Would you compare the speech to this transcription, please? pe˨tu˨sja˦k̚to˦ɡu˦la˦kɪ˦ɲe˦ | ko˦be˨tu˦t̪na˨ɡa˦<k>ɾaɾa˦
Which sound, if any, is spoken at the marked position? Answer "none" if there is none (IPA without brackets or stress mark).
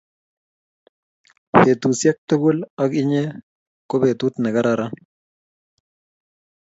none